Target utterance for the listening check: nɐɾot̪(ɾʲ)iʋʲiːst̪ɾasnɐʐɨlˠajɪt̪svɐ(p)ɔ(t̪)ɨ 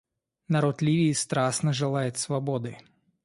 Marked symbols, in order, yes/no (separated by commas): no, no, no